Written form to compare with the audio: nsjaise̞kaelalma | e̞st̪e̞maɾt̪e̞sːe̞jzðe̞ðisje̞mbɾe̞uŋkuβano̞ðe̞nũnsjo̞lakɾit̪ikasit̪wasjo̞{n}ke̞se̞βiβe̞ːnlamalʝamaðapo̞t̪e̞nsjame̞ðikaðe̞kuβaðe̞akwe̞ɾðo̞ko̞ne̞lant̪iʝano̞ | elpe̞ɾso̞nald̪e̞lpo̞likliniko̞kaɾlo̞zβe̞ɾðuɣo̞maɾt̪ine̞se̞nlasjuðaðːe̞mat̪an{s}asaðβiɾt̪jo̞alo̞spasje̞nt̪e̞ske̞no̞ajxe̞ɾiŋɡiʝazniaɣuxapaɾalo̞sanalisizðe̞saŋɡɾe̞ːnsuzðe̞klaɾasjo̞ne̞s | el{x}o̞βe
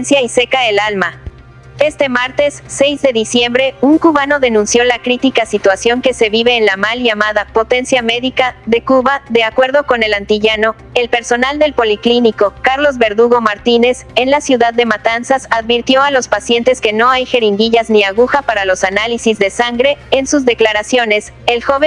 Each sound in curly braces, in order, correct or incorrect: incorrect: ŋ, correct, correct

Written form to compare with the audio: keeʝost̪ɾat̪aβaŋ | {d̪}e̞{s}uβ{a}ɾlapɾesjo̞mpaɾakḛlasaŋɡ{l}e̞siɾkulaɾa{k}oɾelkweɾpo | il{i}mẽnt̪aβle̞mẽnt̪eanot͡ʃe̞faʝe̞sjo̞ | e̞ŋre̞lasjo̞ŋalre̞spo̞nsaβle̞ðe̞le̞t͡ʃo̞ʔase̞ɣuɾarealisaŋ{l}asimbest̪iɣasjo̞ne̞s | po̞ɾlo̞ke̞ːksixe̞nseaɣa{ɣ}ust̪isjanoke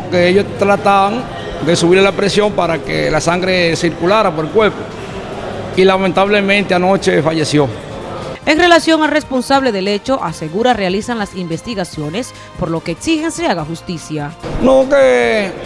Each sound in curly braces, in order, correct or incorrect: correct, correct, incorrect: i, incorrect: ɾ, incorrect: p, incorrect: a, correct, incorrect: x

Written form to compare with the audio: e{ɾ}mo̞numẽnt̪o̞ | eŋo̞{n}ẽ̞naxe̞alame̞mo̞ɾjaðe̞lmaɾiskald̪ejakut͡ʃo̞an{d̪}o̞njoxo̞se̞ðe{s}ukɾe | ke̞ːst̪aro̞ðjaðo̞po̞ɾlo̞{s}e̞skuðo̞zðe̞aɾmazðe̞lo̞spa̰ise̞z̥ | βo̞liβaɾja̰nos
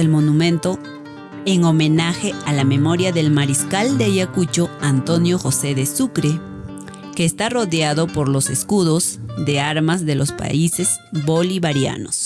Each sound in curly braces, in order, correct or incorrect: incorrect: l, incorrect: m, incorrect: t̪, correct, correct

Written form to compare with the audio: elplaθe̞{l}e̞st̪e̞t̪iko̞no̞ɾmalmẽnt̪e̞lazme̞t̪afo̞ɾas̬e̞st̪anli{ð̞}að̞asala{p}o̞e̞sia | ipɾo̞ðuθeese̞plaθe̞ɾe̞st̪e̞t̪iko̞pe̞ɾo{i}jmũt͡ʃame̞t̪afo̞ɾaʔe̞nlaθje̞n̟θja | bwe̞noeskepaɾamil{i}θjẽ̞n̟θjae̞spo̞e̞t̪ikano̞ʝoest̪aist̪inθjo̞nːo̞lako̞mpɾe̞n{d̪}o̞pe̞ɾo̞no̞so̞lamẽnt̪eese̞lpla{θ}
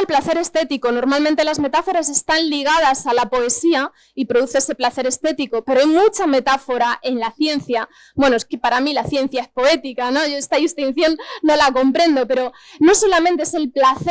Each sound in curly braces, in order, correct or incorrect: incorrect: ɾ, incorrect: ɣ̞, correct, incorrect: a, incorrect: a, correct, correct

